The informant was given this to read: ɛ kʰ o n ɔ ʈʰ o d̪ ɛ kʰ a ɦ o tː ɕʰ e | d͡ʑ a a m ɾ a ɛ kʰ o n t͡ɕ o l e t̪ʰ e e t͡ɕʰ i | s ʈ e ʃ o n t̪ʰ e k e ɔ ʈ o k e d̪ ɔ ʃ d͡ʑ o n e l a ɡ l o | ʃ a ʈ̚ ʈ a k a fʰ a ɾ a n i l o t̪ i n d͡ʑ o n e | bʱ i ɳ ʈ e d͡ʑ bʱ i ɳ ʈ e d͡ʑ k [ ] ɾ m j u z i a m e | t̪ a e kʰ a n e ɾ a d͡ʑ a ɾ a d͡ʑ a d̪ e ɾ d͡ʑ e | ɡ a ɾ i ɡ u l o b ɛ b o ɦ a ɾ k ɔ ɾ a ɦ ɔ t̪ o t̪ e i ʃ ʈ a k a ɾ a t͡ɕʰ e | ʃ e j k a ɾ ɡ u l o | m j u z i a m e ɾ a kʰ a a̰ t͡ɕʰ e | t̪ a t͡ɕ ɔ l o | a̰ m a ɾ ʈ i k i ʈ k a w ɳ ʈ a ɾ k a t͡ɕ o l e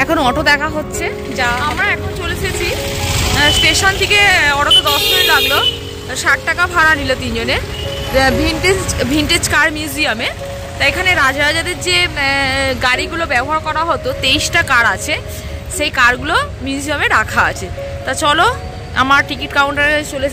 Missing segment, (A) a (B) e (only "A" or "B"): A